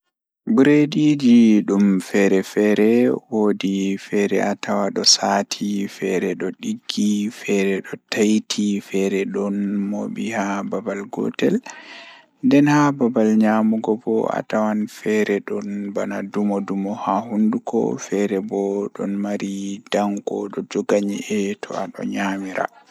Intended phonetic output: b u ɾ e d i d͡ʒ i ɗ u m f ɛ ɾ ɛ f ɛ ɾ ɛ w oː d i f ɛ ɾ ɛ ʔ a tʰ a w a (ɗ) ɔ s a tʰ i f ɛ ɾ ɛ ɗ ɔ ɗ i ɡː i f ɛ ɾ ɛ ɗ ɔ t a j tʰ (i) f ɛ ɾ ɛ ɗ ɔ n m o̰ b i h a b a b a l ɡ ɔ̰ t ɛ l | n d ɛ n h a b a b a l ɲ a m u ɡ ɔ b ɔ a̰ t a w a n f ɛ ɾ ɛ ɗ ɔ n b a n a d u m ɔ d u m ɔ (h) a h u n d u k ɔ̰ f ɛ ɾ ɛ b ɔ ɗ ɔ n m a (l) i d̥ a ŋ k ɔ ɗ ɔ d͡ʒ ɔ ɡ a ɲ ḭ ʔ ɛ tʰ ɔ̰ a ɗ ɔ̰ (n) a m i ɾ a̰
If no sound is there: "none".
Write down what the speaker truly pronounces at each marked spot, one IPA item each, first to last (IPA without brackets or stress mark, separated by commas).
ɗ, i, h, ɾ, ɲ